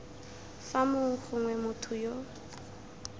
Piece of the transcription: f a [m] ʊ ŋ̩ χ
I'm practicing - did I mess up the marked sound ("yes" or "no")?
no